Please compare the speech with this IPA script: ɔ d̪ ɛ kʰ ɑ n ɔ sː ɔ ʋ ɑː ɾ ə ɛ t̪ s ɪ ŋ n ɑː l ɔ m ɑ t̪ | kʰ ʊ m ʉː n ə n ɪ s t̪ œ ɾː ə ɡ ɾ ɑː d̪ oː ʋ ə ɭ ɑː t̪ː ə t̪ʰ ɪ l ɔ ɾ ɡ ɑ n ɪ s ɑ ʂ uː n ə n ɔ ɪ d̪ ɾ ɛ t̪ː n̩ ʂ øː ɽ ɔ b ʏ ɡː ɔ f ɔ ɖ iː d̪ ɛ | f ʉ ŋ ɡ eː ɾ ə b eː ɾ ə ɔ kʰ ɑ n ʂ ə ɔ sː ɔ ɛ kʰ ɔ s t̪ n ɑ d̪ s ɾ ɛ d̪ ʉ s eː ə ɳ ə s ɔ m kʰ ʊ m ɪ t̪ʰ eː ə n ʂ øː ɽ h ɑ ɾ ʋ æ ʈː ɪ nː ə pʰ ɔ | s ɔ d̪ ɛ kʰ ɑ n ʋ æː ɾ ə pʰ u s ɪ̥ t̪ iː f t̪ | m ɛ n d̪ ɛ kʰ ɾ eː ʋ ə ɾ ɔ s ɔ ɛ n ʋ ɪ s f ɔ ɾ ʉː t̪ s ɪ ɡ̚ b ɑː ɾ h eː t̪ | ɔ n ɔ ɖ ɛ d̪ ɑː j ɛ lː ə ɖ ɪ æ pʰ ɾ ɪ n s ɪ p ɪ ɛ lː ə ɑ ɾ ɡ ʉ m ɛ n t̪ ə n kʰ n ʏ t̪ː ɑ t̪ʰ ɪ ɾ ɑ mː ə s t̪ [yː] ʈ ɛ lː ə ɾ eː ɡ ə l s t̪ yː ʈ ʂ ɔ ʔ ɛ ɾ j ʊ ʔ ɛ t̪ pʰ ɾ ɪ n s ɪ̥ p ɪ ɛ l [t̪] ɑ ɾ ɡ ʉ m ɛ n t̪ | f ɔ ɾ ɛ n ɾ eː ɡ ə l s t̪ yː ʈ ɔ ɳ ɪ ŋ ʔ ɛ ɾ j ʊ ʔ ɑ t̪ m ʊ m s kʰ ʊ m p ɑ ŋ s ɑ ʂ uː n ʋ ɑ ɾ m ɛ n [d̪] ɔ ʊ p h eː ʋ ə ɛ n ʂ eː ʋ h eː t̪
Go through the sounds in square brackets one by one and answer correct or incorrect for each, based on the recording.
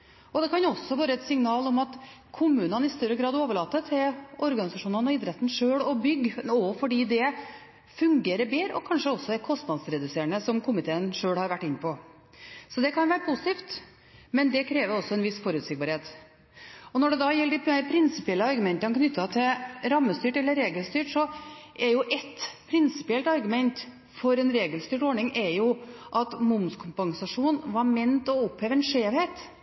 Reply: correct, correct, incorrect: t̪

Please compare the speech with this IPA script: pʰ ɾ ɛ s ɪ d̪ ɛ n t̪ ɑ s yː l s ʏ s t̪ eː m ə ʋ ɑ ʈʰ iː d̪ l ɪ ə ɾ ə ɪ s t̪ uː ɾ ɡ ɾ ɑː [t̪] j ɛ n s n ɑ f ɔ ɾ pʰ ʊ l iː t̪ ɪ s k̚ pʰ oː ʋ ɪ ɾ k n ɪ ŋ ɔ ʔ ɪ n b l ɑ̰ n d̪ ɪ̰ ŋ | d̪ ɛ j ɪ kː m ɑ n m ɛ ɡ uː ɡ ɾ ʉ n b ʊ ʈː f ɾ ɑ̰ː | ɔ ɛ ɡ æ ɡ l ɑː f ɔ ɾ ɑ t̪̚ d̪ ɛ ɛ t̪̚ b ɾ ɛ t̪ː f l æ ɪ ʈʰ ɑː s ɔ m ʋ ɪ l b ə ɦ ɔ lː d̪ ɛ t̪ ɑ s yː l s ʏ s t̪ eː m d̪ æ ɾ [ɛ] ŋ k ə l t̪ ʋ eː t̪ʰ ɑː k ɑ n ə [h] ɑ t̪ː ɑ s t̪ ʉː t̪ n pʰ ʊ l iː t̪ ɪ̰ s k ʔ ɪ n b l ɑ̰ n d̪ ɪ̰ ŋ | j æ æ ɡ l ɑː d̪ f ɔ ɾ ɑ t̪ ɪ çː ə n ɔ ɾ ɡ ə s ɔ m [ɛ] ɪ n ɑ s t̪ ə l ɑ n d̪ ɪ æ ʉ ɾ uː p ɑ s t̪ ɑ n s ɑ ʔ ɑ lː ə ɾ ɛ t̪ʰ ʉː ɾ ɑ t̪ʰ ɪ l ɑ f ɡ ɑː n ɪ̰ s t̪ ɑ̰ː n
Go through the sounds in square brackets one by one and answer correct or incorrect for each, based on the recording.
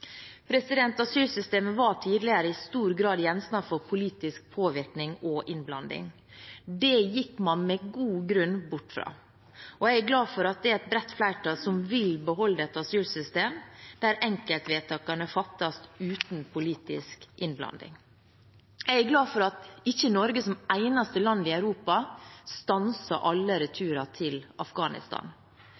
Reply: incorrect: d̪, correct, incorrect: f, incorrect: æ

